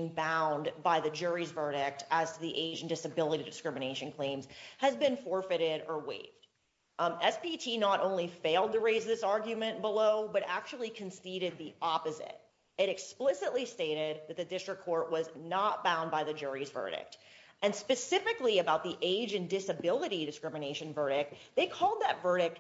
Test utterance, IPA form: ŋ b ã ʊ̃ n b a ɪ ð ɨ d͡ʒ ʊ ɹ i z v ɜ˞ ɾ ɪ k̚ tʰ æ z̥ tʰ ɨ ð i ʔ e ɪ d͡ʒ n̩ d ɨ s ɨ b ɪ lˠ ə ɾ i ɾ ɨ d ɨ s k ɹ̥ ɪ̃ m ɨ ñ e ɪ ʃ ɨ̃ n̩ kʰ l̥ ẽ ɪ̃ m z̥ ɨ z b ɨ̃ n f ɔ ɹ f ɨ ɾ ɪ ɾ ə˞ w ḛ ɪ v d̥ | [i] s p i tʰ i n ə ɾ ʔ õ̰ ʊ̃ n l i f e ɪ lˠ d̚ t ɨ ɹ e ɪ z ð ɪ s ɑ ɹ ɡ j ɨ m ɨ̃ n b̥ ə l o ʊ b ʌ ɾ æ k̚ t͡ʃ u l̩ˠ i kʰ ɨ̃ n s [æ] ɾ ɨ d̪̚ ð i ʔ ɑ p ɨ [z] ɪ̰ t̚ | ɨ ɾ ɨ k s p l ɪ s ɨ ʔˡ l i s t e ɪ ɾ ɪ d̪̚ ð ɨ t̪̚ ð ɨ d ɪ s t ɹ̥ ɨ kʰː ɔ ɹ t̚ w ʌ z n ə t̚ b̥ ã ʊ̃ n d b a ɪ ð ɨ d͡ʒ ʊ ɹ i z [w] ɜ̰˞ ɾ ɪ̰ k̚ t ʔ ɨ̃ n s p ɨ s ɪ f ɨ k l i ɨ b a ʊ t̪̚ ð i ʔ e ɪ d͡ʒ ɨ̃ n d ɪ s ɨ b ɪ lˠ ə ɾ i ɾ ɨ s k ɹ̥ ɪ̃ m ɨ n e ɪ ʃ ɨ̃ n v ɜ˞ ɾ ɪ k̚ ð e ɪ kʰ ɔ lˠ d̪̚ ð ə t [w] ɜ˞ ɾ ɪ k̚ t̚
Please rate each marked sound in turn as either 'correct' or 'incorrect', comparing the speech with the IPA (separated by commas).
incorrect, incorrect, correct, incorrect, incorrect